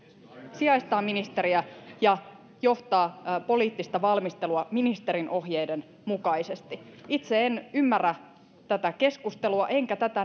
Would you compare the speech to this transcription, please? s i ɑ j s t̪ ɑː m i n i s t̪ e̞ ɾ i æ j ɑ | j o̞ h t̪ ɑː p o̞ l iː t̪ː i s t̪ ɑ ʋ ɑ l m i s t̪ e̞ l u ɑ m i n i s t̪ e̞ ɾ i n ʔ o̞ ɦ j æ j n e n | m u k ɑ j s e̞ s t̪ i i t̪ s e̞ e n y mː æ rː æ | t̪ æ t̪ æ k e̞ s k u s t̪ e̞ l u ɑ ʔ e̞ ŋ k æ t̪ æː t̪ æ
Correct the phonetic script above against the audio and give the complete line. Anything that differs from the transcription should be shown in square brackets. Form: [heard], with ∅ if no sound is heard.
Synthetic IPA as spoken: s i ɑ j s t̪ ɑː m i n i s t̪ e̞ ɾ i æ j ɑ | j o̞ h t̪ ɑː p o̞ l iː t̪ː i s t̪ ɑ ʋ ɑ l m i s t̪ e̞ l u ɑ m i n i s t̪ e̞ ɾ i n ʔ o̞ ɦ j [e] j [d] e n | m u k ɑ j s e̞ s t̪ i i t̪ s e̞ e n y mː æ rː æ | t̪ æ t̪ æ k e̞ s k u s t̪ e̞ l u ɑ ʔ e̞ ŋ k æ t̪ [æ] t̪ æ